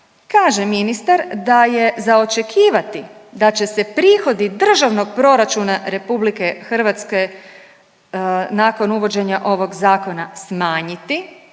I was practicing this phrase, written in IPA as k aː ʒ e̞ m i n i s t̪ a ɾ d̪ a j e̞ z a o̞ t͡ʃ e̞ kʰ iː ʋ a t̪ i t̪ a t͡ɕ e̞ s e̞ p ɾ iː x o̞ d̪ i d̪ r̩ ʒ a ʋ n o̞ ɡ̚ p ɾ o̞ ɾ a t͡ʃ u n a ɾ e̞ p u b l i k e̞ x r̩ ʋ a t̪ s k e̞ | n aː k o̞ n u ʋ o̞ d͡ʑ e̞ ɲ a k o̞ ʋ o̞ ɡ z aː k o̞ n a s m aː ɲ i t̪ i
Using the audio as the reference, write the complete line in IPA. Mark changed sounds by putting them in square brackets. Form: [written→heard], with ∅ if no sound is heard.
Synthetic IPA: k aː ʒ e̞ m i n i s t̪ a ɾ d̪ a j e̞ z a o̞ t͡ʃ e̞ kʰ iː ʋ a t̪ i [t̪→d̪] a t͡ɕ e̞ s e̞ p ɾ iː x o̞ d̪ i d̪ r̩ ʒ a ʋ n o̞ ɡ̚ p ɾ o̞ ɾ a t͡ʃ u n a ɾ e̞ p u b l i k e̞ x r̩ ʋ a t̪ s k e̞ | n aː k o̞ n u ʋ o̞ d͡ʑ e̞ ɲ a [k→ʔ] o̞ ʋ o̞ ɡ z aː k o̞ n a s m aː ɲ i t̪ i